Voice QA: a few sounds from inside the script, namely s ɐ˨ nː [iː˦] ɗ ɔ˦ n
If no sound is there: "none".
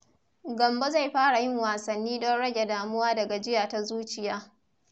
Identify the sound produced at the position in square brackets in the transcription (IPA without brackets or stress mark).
iː˦